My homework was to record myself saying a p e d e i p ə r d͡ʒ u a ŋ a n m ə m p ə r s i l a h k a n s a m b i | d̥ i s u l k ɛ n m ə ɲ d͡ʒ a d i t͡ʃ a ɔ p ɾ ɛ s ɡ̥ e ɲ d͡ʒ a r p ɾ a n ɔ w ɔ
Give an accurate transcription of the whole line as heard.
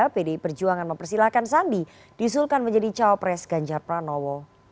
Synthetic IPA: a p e d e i p ə r d͡ʒ u a ŋ a n m ə m p ə r s i l a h k a n s a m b i | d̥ i s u l k a n m ə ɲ d͡ʒ a d i t͡ʃ a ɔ p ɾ ɛ s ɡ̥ a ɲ d͡ʒ a r p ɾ a n ɔ w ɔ